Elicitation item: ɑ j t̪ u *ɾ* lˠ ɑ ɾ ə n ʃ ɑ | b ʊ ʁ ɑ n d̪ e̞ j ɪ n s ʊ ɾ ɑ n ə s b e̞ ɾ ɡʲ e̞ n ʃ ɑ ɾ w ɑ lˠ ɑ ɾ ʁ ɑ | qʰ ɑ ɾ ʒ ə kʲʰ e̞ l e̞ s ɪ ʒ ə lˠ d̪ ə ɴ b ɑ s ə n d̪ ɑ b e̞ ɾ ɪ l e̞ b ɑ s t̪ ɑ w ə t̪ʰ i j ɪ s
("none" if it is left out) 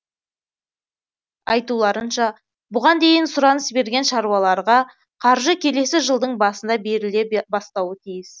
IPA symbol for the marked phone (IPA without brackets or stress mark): none